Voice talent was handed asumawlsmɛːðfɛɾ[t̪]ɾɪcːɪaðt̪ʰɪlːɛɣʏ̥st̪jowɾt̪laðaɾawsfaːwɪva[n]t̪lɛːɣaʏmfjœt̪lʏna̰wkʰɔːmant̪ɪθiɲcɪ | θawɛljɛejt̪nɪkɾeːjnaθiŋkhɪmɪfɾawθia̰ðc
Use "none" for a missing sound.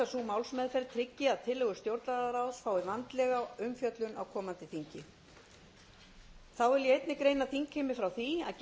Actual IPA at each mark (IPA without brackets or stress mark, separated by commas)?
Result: t̪ʰ, n